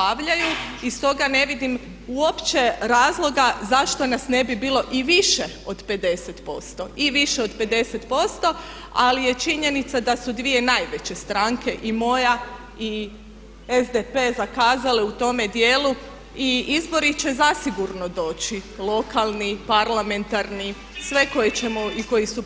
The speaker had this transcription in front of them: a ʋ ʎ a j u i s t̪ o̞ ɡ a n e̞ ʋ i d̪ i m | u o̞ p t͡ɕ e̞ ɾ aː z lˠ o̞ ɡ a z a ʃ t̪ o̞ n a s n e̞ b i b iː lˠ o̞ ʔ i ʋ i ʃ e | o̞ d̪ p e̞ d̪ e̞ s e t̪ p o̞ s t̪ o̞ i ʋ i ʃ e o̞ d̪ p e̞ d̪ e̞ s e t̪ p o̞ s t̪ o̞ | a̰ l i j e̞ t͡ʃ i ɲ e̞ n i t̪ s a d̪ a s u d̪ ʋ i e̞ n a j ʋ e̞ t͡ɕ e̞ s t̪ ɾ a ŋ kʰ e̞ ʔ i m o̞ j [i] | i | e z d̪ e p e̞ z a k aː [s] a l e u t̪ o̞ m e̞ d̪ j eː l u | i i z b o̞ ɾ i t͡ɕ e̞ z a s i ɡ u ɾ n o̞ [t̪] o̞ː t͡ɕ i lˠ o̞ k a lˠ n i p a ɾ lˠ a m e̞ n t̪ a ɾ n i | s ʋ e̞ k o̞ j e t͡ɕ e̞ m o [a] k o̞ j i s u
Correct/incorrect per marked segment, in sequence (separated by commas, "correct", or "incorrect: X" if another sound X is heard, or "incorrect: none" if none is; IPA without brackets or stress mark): incorrect: a, incorrect: z, incorrect: d̪, incorrect: i